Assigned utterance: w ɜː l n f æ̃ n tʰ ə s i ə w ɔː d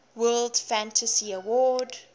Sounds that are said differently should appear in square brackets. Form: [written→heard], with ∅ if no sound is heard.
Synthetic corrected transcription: w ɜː l [n→d] f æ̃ n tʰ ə s i ə w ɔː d